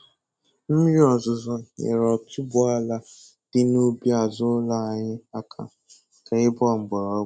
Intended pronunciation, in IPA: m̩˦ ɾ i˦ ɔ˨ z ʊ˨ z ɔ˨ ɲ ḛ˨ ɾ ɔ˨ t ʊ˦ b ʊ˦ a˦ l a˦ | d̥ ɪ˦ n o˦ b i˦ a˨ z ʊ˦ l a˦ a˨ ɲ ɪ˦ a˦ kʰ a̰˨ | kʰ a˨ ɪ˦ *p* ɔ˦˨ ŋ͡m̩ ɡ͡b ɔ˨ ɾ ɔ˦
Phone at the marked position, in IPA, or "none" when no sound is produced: b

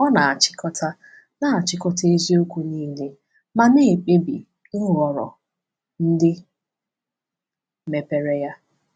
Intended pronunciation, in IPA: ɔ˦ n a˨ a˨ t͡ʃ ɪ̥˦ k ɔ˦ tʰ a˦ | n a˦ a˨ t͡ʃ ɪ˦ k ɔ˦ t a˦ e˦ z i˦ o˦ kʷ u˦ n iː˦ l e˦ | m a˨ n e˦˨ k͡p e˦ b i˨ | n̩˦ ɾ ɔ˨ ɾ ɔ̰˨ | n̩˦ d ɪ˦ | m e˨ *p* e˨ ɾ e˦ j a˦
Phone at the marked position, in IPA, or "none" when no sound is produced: p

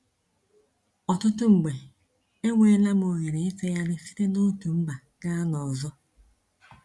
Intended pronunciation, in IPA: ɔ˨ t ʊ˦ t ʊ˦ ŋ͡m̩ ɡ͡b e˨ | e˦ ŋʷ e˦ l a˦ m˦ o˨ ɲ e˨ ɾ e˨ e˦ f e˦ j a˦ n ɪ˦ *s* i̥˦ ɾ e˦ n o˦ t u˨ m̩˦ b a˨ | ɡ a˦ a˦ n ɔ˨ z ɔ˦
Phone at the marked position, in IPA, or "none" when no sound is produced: f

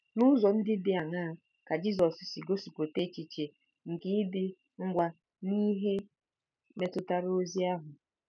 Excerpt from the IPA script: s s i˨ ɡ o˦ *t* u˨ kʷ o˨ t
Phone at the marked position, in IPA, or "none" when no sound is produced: s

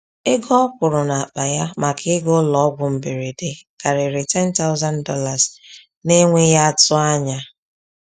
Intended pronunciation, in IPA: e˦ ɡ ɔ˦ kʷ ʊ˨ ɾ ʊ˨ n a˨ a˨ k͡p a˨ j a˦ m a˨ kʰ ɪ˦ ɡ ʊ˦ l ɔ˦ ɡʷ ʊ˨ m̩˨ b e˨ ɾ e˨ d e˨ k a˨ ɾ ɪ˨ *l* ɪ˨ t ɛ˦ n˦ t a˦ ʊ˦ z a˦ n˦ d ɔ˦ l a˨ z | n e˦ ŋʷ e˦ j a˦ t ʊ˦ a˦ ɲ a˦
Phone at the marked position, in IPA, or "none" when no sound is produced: ɾ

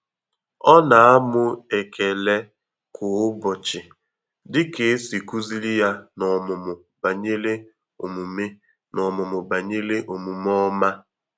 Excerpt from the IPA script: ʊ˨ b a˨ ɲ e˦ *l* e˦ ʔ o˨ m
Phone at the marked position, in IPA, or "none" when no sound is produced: l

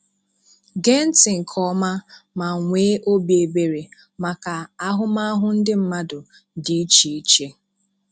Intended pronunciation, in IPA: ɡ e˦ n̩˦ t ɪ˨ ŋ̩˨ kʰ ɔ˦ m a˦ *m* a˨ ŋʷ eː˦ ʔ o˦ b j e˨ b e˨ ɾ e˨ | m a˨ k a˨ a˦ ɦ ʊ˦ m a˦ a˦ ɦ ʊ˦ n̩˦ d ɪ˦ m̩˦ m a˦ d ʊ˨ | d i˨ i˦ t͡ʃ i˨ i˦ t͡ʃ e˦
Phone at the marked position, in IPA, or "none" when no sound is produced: m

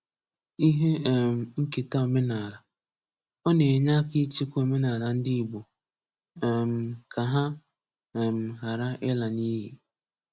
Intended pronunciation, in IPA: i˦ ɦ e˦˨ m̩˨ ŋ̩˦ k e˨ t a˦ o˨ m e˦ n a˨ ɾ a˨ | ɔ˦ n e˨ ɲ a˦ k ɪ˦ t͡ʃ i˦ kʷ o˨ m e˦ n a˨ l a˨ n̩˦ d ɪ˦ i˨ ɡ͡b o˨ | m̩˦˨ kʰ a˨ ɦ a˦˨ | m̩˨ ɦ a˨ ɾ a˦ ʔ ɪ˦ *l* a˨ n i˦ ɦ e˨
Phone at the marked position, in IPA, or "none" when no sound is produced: l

